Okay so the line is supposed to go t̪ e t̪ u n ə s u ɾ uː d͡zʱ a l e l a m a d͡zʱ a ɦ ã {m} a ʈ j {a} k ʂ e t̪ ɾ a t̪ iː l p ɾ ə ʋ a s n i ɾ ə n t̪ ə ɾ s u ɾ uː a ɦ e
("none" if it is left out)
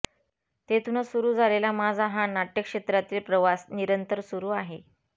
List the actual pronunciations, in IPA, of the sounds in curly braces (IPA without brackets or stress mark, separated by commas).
n, ə